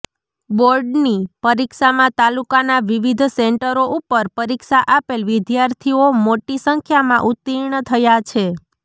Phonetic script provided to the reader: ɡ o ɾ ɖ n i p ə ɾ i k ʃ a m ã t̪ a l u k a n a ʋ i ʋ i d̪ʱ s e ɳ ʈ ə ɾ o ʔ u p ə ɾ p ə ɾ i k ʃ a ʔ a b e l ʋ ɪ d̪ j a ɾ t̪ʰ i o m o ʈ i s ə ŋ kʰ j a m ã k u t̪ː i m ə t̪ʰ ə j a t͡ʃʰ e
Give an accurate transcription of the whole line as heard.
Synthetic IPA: b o ɾ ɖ n i p ə ɾ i k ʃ a m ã t̪ a l u k a n a ʋ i ʋ i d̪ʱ s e ɳ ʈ ə ɾ o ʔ u p ə ɾ p ə ɾ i k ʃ a ʔ a p e l ʋ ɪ d̪ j a ɾ t̪ʰ i o m o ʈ i s ə ŋ kʰ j a m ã ʔ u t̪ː i ɳ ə t̪ʰ ə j a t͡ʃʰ e